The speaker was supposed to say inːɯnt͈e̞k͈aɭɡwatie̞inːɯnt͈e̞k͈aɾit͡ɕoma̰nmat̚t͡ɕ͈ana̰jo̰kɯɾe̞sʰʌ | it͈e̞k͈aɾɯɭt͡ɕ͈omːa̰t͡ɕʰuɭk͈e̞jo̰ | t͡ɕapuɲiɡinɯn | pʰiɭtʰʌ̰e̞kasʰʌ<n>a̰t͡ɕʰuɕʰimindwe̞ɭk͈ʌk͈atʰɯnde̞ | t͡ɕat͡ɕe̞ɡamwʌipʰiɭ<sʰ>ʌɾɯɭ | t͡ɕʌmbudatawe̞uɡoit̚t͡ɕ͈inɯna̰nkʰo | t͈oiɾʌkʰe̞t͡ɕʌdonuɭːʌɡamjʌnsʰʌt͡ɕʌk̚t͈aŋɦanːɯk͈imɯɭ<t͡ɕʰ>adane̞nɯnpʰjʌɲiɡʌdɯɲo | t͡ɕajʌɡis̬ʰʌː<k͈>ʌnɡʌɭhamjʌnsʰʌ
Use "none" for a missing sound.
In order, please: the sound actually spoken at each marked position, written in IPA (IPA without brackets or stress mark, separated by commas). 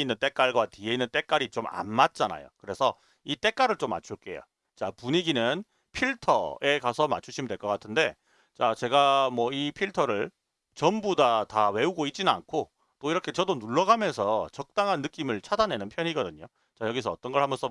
m, tʰ, t͡ɕʰ, t͈